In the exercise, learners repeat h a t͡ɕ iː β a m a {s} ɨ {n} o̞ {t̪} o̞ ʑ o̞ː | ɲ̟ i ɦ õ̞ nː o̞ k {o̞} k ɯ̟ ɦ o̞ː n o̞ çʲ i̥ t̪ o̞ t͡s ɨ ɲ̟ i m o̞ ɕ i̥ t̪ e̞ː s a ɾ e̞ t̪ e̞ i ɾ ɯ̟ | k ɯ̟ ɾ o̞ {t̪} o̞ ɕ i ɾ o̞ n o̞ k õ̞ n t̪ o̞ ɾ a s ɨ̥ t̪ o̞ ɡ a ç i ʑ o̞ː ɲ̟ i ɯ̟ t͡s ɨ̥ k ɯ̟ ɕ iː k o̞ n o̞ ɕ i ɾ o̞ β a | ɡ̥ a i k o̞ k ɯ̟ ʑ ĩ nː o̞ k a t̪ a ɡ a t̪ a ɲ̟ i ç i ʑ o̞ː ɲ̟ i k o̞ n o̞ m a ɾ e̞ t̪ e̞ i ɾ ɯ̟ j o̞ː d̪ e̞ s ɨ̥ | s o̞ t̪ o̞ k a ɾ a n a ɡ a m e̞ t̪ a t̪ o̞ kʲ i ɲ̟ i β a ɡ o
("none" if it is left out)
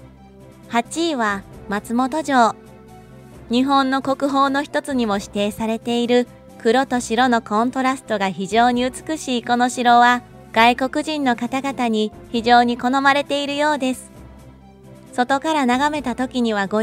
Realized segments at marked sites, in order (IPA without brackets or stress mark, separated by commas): t͡s, m, t̪, o̞, t̪